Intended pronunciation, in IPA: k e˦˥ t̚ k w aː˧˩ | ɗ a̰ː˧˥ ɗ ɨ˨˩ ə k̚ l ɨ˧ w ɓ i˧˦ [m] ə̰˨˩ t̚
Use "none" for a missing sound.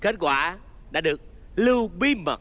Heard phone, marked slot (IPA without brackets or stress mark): m